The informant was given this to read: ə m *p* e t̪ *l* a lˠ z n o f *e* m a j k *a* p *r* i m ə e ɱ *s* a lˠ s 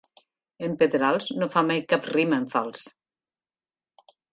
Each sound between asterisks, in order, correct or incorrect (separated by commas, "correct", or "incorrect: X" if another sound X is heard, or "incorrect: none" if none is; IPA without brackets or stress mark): correct, incorrect: ɾ, incorrect: a, correct, correct, incorrect: f